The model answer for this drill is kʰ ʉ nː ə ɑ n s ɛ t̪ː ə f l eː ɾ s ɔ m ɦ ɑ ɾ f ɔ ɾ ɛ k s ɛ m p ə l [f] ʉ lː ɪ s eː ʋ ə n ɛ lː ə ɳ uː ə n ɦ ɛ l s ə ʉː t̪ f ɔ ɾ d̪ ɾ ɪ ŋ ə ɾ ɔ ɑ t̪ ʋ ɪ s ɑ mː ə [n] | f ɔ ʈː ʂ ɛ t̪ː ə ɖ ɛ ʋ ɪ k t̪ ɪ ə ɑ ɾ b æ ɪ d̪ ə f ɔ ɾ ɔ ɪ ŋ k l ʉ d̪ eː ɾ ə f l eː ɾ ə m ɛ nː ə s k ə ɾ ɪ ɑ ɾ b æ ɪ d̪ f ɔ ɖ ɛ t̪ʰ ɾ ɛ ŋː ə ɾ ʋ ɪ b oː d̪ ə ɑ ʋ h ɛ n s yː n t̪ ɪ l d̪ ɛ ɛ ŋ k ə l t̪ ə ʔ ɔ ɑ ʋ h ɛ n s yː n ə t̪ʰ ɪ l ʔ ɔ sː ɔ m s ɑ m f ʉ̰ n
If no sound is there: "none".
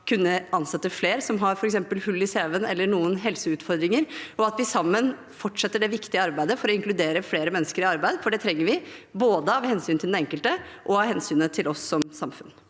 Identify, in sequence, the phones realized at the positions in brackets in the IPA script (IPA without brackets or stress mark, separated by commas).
h, n